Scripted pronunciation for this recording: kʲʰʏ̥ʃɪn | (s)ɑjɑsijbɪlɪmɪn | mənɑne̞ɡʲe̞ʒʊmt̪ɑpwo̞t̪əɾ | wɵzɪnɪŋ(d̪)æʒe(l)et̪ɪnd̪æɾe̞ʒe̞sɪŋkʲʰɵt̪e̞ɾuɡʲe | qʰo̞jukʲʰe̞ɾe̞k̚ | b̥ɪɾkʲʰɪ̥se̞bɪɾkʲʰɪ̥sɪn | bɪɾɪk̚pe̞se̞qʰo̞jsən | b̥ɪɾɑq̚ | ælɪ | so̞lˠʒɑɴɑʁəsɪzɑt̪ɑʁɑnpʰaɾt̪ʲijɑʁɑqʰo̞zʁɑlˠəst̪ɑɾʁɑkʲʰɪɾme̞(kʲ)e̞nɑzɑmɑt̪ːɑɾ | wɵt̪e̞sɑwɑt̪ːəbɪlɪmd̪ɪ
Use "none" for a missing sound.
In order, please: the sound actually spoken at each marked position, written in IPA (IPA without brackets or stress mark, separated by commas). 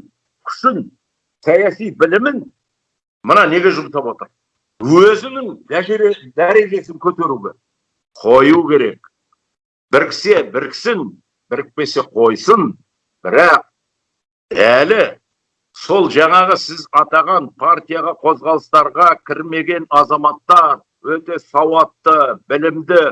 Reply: s, d̪, ɾ, ɡʲ